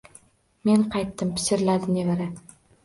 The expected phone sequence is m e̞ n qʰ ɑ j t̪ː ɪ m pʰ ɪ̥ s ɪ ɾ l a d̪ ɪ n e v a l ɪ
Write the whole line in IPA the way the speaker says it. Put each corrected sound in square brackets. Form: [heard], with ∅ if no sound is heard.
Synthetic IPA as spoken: m e̞ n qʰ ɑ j t̪ː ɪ m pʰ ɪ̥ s ɪ ɾ l a d̪ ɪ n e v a [ɾ] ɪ